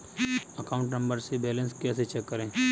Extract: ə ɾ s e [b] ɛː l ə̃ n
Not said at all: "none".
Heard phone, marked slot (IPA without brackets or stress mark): b